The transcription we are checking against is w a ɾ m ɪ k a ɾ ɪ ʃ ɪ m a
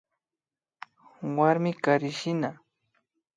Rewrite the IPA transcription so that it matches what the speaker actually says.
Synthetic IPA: w a ɾ m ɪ k a ɾ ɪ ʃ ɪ n a